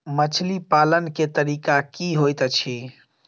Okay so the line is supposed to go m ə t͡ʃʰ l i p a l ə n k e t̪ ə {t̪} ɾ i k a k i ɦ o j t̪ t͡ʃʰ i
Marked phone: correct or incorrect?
incorrect